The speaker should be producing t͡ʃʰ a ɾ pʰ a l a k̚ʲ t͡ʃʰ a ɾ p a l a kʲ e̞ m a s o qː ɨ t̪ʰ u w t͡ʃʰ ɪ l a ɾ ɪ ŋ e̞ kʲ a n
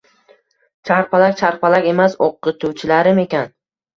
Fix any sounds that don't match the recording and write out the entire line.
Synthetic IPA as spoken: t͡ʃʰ a ɾ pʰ a l a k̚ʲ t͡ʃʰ a ɾ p a l a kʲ e̞ m a s o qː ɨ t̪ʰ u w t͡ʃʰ ɪ l a ɾ ɪ m e̞ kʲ a n